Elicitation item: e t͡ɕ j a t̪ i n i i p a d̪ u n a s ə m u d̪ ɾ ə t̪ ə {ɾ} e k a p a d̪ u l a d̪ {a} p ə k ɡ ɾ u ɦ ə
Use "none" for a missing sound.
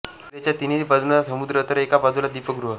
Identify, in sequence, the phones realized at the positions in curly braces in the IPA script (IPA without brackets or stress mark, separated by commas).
ɾ, i